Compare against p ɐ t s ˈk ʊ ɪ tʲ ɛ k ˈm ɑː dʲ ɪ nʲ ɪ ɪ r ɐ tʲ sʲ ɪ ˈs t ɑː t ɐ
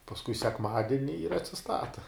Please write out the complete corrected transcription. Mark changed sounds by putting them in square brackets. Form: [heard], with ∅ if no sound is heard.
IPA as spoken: p ɐ [∅] s ˈk ʊ ɪ [sʲ] ɛ k ˈm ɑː dʲ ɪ nʲ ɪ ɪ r ɐ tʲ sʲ ɪ ˈs t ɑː t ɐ